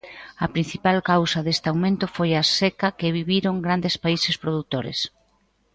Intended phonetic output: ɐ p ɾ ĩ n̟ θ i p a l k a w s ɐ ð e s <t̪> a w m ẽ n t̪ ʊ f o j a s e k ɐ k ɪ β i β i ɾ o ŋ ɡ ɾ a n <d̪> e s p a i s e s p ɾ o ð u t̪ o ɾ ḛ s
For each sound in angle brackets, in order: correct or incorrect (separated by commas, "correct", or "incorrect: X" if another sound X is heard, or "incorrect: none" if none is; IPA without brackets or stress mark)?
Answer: correct, correct